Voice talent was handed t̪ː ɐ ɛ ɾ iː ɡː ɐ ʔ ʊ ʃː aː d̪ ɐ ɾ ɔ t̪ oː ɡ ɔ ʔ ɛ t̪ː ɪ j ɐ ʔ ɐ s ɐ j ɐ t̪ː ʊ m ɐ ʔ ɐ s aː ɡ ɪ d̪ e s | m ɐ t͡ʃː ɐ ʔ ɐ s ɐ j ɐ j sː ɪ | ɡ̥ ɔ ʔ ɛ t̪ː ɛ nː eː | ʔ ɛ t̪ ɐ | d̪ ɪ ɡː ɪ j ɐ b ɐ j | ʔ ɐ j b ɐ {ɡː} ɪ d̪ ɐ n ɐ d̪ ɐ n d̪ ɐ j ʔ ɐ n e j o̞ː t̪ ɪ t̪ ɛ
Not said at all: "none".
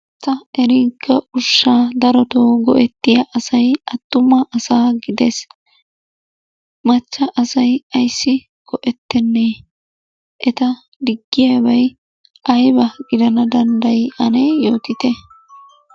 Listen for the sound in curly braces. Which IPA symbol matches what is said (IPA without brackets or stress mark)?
ɡ